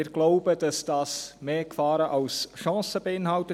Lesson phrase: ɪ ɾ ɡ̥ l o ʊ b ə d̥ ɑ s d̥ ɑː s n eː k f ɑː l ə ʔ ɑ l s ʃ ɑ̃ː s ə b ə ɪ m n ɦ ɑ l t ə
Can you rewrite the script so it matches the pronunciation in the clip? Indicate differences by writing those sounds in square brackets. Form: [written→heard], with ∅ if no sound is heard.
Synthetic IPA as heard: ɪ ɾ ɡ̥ l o ʊ b ə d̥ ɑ s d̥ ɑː s [n→m] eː k f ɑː [l→ɾ] ə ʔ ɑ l s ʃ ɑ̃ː s ə b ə ɪ [m→∅] n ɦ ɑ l t ə